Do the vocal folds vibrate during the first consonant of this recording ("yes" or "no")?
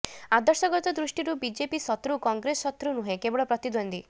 yes